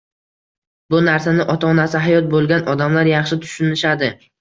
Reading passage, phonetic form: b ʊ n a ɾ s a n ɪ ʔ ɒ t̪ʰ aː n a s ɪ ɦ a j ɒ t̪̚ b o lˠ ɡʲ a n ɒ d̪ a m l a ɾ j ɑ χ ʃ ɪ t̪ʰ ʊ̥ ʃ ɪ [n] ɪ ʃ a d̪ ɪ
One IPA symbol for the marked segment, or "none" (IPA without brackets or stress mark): n